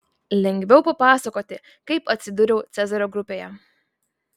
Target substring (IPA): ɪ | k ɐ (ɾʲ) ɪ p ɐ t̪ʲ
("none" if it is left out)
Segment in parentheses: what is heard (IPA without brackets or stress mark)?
none